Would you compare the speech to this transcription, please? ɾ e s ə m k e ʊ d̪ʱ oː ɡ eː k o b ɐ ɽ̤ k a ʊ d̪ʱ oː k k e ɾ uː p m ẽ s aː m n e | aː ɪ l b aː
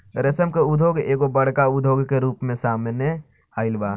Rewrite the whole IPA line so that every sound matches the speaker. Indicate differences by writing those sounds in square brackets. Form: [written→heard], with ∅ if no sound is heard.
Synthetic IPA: ɾ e s ə m k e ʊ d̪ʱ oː ɡ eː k o b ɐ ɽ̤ k a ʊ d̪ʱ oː [k→ɡ] k e ɾ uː p m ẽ s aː m n e | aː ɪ l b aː